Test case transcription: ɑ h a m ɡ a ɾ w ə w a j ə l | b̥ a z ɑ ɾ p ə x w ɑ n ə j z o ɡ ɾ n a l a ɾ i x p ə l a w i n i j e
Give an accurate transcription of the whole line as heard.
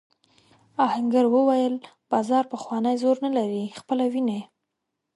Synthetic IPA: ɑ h a ŋ ɡ a ɾ w ə w a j ə l | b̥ ɑ z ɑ ɾ p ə x w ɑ n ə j z o ɾ n a l a ɾ i x p ə l a w i n a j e